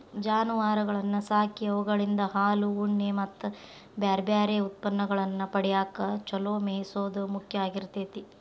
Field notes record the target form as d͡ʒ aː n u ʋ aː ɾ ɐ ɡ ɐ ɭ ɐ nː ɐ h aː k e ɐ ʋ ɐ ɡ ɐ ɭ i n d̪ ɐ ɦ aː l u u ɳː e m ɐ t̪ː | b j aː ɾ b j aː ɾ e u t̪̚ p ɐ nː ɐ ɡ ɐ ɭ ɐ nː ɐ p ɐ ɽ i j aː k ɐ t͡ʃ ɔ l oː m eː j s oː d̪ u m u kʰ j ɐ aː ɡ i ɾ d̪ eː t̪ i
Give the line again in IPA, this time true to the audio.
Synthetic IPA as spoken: d͡ʒ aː n u ʋ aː ɾ ɐ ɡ ɐ ɭ ɐ nː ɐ s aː k i ɐ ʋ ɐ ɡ ɐ ɭ i n d̪ ɐ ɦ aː l u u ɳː e m ɐ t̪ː | b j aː ɾ b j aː ɾ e u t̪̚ p ɐ nː ɐ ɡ ɐ ɭ ɐ nː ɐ p ɐ ɽ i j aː k ɐ t͡ʃ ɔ l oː m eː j s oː d̪ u m u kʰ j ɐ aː ɡ i ɾ t̪ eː t̪ i